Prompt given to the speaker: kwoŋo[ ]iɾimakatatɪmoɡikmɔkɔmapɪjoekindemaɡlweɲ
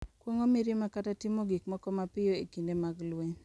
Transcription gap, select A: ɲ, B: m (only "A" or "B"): B